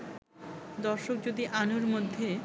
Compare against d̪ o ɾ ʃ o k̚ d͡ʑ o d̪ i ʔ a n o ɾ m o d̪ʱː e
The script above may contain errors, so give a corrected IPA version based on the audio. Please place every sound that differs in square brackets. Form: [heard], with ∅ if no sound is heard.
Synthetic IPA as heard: d̪ [ɔ] ɾ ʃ o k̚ d͡ʑ o d̪ i ʔ a n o ɾ m o d̪ʱː e